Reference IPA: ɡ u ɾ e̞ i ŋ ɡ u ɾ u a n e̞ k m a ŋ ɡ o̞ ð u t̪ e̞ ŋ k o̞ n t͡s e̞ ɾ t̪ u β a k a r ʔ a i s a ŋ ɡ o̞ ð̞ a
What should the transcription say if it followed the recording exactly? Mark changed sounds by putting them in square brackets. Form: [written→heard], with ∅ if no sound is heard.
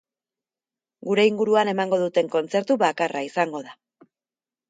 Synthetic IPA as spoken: ɡ u ɾ e̞ i ŋ ɡ u ɾ u a n e̞ [k→∅] m a ŋ ɡ o̞ ð u t̪ e̞ ŋ k o̞ n t͡s e̞ ɾ t̪ u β a k a r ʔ a i s a ŋ ɡ o̞ ð̞ a

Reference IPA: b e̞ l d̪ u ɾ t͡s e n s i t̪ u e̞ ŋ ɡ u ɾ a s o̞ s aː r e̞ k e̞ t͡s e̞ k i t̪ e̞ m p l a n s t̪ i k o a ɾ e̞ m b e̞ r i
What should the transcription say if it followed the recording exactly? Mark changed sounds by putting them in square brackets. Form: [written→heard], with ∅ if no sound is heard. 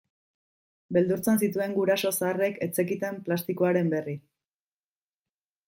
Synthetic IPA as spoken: b e̞ l d̪ u ɾ t͡s e n s i t̪ u e̞ ŋ ɡ u ɾ a s o̞ s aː r e̞ k e̞ t͡s e̞ k i t̪ e̞ m p l a [n→∅] s t̪ i k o a ɾ e̞ m b e̞ r i

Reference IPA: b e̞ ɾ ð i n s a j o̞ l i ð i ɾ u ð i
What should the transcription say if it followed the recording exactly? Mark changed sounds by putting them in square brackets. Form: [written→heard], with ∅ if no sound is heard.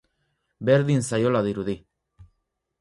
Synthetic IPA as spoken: b e̞ ɾ ð i n s a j o̞ l [i→a] ð i ɾ u ð i

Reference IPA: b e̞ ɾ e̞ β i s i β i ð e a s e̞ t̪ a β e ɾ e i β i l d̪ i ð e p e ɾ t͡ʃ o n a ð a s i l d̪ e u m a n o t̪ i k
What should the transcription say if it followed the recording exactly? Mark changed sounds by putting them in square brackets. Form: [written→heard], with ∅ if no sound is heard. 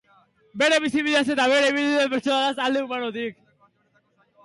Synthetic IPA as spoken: b e̞ ɾ e̞ β i s i β i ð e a s e̞ t̪ a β e ɾ e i β i l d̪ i ð e p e ɾ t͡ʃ o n a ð a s [i→a] l d̪ e u m a n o t̪ i k

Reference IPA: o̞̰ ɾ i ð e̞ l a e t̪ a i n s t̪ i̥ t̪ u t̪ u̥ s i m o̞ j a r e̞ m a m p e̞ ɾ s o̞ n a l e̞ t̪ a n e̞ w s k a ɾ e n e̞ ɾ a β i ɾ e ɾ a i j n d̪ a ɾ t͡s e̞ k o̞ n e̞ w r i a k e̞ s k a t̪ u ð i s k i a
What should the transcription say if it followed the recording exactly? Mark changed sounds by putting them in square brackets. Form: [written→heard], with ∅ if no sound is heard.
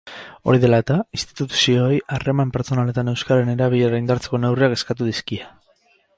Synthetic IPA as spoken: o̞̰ ɾ i ð e̞ l a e t̪ a i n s t̪ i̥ t̪ u t̪ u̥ s i [m→∅] o̞ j a r e̞ m a m p e̞ ɾ [s→t͡s] o̞ n a l e̞ t̪ a n e̞ w s k a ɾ e n e̞ ɾ a β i [ɾ→ʎ] e ɾ a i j n d̪ a ɾ t͡s e̞ k o̞ n e̞ w r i a k e̞ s k a t̪ u ð i s k i a

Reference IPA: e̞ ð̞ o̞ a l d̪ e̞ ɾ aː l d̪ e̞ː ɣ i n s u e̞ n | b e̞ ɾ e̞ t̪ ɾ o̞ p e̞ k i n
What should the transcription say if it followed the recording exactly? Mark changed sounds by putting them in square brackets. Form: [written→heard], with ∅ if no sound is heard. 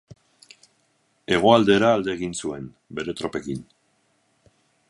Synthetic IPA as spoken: e̞ [ð̞→ɣ̞] o̞ a l d̪ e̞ ɾ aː l d̪ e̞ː ɣ i n s u e̞ n | b e̞ ɾ e̞ t̪ ɾ o̞ p e̞ k i n

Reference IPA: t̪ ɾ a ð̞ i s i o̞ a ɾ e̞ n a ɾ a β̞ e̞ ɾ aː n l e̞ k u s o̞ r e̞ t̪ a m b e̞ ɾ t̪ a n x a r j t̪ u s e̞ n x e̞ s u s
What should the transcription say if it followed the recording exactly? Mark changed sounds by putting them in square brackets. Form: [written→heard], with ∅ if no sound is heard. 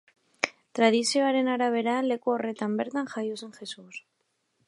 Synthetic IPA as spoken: t̪ ɾ a ð̞ i s i o̞ a ɾ e̞ n a ɾ a β̞ e̞ ɾ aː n l e̞ k u [s→∅] o̞ r e̞ t̪ a m b e̞ ɾ t̪ a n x a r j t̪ u s e̞ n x e̞ s u s

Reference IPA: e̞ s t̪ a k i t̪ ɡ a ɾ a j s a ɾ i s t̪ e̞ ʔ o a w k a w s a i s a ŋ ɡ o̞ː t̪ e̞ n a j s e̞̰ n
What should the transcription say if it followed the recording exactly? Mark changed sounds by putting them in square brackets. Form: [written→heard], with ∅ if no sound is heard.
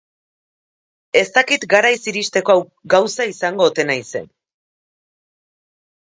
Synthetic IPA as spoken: e̞ s t̪ a k i t̪ ɡ a ɾ a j s [a→i] ɾ i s t̪ e̞ [ʔ→k] o a w [k→ɡ] a w s a i s a ŋ ɡ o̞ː t̪ e̞ n a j s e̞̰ n

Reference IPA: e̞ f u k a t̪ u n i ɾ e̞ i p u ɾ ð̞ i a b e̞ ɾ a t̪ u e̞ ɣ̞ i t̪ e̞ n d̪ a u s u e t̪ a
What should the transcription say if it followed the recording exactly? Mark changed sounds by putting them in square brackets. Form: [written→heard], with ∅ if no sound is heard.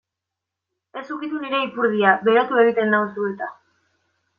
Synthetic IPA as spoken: e̞ [f→s] u k [a→i] t̪ u n i ɾ e̞ i p u ɾ ð̞ i a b e̞ ɾ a t̪ u e̞ ɣ̞ i t̪ e̞ n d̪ a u s u e t̪ a

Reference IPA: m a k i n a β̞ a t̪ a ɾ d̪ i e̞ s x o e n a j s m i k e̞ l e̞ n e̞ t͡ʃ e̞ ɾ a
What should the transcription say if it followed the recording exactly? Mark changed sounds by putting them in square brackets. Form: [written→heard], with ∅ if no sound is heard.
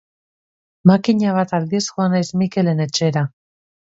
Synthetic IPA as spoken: m a k i [n→ɲ] a β̞ a t̪ a [ɾ→l] d̪ i e̞ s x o [e→a] n a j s m i k e̞ l e̞ n e̞ t͡ʃ e̞ ɾ a

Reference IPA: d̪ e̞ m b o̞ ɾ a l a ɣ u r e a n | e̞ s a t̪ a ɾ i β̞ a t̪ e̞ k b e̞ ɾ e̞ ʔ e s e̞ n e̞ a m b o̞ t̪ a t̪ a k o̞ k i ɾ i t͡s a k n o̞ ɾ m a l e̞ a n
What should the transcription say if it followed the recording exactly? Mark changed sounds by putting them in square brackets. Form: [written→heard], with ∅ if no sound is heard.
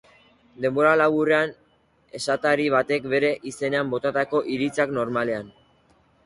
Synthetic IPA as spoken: d̪ e̞ m b o̞ ɾ a l a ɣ u r e a n | e̞ s a t̪ a ɾ i β̞ a t̪ e̞ k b e̞ ɾ e̞ ʔ [e→i] s e̞ n e̞ a m b o̞ t̪ a t̪ a k o̞ [k→ʔ] i ɾ i t͡s a k n o̞ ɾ m a l e̞ a n

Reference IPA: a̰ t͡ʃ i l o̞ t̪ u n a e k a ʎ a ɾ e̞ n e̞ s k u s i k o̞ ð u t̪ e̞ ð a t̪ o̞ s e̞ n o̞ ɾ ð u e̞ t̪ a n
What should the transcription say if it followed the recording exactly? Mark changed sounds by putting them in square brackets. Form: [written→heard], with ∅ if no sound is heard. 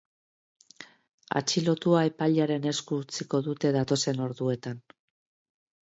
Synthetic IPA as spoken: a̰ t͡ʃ i l o̞ t̪ u [n→∅] a e [k→p] a ʎ a ɾ e̞ n e̞ s k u [s→t͡s] i k o̞ ð u t̪ e̞ ð a t̪ o̞ s e̞ n o̞ ɾ ð u e̞ t̪ a n

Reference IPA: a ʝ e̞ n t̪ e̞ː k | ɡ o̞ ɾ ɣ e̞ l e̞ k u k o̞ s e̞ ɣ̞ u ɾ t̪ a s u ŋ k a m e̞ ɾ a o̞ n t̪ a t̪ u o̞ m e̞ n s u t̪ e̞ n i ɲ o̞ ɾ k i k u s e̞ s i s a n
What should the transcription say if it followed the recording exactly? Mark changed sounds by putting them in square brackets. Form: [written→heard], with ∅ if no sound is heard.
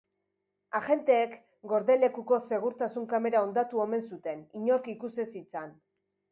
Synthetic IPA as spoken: a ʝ e̞ n t̪ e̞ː k | ɡ o̞ ɾ [ɣ→ð] e̞ l e̞ k u k o̞ s e̞ ɣ̞ u ɾ t̪ a s u ŋ k a m e̞ ɾ a o̞ n [t̪→d̪] a t̪ u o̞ m e̞ n s u t̪ e̞ n i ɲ o̞ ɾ k i k u s e̞ s i [s→t͡s] a n

